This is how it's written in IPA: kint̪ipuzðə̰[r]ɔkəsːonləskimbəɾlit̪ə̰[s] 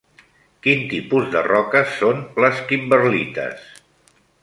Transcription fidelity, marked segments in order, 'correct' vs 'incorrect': correct, correct

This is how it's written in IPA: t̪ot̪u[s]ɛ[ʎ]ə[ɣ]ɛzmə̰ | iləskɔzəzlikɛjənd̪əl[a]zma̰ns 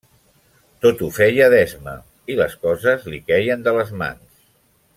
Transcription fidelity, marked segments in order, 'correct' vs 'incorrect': incorrect, incorrect, incorrect, incorrect

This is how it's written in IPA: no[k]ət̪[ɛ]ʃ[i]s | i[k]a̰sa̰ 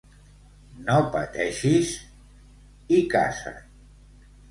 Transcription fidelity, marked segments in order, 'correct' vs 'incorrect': incorrect, correct, correct, correct

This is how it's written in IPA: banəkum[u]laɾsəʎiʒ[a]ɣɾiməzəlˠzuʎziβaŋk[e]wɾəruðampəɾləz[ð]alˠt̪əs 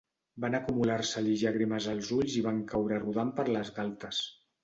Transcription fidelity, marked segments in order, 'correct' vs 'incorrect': correct, correct, incorrect, incorrect

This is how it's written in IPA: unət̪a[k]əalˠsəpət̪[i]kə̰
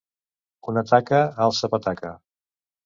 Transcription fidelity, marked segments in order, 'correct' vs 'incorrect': correct, incorrect

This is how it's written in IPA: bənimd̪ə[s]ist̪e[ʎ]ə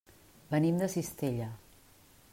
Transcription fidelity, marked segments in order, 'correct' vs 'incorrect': correct, correct

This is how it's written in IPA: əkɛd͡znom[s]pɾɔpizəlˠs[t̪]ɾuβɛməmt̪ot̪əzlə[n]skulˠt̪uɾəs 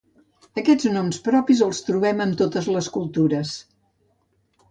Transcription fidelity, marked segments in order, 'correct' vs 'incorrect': correct, correct, incorrect

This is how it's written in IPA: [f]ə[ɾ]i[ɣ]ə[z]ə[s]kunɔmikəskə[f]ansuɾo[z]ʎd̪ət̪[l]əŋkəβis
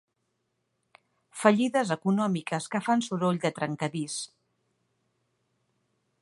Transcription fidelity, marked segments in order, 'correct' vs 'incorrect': correct, incorrect, incorrect, correct, incorrect, correct, incorrect, incorrect

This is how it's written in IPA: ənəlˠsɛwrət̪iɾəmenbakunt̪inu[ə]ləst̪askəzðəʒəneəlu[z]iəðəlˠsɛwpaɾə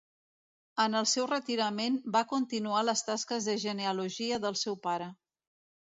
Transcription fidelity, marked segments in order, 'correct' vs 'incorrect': incorrect, incorrect

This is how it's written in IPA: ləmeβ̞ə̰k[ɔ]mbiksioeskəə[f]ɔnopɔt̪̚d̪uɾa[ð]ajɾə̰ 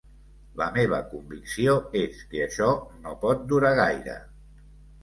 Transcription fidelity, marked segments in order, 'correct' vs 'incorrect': incorrect, incorrect, incorrect

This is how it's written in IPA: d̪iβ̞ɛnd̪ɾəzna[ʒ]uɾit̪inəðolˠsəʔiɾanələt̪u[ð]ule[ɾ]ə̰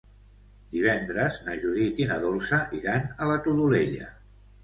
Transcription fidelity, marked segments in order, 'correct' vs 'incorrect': correct, correct, incorrect

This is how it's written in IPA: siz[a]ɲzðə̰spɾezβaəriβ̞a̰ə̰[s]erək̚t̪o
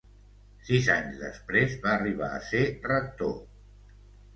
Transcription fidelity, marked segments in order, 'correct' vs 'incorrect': correct, correct

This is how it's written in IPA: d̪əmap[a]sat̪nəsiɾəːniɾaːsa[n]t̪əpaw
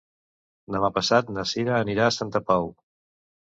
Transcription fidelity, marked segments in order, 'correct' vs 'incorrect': incorrect, correct

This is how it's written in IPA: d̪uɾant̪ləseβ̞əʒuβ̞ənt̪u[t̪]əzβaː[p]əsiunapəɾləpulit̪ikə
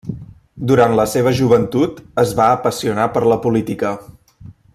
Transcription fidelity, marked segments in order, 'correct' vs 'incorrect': correct, correct

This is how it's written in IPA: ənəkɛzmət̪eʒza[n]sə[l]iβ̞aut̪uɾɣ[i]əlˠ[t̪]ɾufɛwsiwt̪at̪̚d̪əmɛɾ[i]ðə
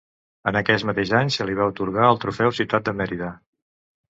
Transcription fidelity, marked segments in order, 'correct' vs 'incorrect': incorrect, correct, incorrect, correct, correct

